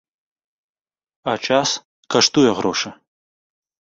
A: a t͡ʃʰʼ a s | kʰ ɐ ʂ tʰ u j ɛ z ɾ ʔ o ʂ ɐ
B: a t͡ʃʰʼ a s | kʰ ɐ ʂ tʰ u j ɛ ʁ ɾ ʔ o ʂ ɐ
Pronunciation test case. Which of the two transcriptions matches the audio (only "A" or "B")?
B